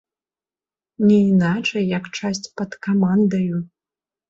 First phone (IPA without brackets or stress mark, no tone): nʲ